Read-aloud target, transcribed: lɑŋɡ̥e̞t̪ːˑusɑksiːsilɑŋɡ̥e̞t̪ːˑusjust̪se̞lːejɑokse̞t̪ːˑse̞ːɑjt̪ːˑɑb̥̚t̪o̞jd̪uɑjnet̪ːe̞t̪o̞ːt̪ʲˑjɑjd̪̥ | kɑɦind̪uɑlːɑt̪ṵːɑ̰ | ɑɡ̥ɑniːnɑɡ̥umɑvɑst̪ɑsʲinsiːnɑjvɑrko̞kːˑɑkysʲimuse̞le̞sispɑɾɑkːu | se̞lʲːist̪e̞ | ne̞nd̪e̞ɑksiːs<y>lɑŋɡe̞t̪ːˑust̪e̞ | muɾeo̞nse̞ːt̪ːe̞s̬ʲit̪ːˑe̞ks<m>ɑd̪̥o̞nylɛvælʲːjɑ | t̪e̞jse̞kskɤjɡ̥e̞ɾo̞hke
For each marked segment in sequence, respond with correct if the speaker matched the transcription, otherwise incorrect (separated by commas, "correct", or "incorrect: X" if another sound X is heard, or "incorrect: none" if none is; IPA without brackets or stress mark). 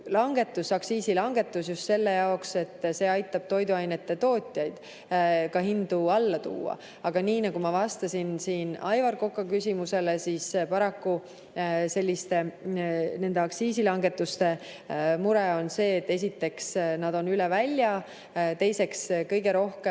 incorrect: i, incorrect: n